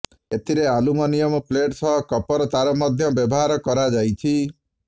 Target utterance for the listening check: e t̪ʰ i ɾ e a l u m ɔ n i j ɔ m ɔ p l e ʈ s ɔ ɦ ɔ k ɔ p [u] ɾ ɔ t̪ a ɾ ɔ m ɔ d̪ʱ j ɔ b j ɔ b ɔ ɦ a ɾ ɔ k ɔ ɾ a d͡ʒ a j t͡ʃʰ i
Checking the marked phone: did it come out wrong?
yes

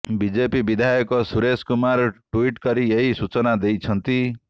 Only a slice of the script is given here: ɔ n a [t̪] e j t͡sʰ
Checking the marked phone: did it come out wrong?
yes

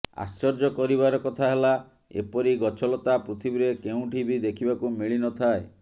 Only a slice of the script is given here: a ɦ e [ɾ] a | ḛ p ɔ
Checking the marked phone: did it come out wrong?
yes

